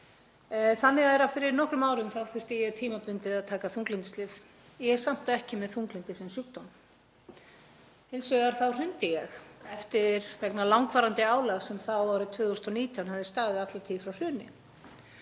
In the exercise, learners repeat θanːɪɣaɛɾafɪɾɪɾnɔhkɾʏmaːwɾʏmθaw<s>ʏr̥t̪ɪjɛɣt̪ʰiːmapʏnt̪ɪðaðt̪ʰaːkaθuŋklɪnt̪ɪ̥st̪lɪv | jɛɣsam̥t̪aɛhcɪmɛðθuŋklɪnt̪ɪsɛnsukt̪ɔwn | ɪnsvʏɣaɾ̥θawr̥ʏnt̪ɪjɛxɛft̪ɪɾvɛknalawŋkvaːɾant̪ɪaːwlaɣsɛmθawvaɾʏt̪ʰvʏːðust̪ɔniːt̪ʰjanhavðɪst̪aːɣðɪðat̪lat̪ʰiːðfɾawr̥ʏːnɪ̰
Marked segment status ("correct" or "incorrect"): incorrect